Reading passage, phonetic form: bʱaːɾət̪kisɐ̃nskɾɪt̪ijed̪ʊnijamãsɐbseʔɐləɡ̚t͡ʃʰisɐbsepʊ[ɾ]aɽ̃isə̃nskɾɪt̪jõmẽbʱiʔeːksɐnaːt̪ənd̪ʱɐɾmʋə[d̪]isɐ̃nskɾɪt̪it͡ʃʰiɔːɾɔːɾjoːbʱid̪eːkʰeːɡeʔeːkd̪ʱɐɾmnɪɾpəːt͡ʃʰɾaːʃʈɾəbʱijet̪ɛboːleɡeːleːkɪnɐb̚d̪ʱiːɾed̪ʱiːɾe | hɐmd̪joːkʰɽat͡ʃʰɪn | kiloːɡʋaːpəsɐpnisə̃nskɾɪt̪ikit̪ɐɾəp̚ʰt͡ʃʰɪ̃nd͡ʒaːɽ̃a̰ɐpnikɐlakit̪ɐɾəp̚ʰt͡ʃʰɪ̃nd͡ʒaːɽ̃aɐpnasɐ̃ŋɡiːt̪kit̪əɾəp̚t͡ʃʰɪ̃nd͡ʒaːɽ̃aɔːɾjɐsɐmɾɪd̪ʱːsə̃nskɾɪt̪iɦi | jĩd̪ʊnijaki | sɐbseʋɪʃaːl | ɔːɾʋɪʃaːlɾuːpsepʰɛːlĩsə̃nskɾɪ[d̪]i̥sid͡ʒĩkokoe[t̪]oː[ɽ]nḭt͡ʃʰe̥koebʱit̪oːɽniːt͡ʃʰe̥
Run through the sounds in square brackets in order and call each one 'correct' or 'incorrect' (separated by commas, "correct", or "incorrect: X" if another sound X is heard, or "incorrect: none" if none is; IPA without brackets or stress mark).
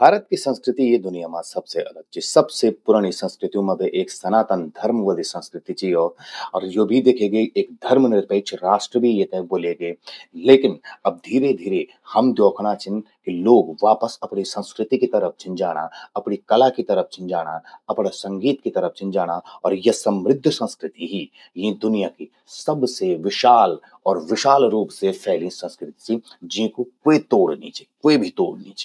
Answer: correct, correct, incorrect: t̪, correct, correct